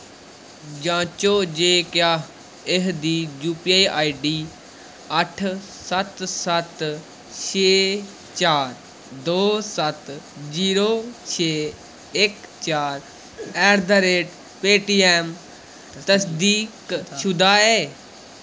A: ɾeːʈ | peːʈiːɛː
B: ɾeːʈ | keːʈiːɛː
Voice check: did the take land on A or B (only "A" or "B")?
A